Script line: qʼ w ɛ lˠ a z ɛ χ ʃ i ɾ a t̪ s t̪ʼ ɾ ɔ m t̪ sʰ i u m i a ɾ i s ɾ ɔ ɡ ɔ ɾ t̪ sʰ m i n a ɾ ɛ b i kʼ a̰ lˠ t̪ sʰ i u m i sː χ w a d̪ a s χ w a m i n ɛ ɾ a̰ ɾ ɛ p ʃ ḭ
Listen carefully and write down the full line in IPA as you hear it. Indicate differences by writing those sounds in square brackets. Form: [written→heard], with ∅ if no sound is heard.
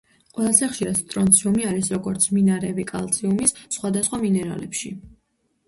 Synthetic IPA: qʼ w ɛ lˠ a z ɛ χ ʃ i ɾ a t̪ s t̪ʼ ɾ ɔ [m→n] t̪ sʰ i u m i a ɾ i s ɾ ɔ ɡ ɔ ɾ t̪ sʰ m i n a ɾ ɛ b i kʼ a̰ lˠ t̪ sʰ i u m i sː χ w a d̪ a s χ w a m i n ɛ ɾ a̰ [ɾ→l] ɛ p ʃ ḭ